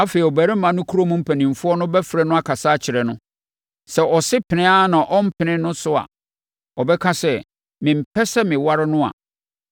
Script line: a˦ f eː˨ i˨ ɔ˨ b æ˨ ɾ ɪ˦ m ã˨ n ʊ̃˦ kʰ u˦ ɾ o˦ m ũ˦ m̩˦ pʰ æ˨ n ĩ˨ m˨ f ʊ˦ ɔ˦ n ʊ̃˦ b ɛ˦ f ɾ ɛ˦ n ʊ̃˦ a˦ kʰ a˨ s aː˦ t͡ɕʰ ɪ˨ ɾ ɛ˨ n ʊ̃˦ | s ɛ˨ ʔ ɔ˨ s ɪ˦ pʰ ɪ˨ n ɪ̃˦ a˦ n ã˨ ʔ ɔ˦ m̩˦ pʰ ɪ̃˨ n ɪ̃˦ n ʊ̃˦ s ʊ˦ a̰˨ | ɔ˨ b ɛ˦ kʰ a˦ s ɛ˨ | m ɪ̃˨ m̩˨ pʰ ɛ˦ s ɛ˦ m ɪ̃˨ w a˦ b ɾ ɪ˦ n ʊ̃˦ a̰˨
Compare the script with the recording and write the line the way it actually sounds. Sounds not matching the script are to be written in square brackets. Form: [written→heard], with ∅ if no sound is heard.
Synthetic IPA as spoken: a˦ f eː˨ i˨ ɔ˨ b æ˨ ɾ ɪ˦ m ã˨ n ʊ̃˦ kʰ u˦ ɾ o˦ m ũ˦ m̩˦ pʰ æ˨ n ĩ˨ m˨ f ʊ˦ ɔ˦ n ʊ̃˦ b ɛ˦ f ɾ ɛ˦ n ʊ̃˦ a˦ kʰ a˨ s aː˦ t͡ɕʰ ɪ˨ ɾ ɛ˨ n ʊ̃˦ | s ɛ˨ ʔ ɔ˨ s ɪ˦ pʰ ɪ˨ n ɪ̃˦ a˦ n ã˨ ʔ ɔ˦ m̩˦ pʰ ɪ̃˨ n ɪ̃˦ n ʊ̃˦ s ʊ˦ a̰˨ | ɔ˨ b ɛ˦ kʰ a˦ s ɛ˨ | m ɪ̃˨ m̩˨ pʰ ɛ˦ s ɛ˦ m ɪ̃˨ w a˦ [b→∅] ɾ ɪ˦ n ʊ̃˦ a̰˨